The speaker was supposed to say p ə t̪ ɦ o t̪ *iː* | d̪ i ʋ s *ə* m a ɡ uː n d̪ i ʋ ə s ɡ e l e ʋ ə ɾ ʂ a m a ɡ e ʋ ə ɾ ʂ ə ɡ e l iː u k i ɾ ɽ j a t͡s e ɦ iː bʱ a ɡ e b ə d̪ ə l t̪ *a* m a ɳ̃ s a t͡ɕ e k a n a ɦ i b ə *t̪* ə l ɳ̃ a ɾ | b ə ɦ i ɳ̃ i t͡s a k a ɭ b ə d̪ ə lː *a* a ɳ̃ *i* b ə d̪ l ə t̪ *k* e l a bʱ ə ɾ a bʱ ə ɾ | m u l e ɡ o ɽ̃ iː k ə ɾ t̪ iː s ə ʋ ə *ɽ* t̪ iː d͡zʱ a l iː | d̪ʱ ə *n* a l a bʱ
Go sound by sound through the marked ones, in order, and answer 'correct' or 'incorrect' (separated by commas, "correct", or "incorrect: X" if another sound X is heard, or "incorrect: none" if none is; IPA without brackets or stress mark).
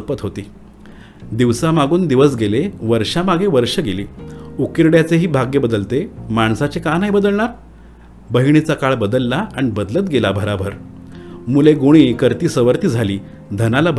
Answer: correct, incorrect: a, incorrect: e, incorrect: d̪, correct, correct, incorrect: ɡ, incorrect: ɾ, correct